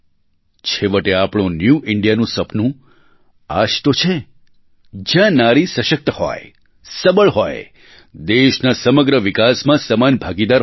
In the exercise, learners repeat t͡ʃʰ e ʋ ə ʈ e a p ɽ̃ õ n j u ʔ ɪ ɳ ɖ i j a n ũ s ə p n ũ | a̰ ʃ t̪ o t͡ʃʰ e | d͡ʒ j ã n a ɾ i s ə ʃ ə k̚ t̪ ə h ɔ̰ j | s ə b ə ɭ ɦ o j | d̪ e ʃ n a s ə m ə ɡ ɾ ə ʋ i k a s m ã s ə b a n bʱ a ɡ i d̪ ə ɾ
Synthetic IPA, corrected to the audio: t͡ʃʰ e ʋ ə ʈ e a p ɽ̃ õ n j u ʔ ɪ ɳ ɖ i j a n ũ s ə p n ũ | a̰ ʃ t̪ o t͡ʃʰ e | d͡ʒ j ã n a ɾ i s ə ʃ ə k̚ t̪ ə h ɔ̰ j | s ə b ə ɭ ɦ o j | d̪ e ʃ n a s ə m ə ɡ ɾ ə ʋ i k a s m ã s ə m a n bʱ a ɡ i d̪ a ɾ